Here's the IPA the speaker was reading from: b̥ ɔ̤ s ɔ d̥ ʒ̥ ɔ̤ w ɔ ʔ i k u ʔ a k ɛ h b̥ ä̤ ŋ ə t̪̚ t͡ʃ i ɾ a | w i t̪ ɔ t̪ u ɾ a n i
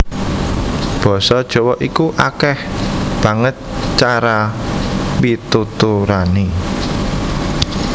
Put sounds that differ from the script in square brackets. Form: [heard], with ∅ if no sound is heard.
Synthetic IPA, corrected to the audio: b̥ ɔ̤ s ɔ d̥ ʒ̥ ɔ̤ w ɔ ʔ i k u ʔ a k ɛ h b̥ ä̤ ŋ ə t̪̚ t͡ʃ [a] ɾ a | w i t̪ [u] t̪ u ɾ a n i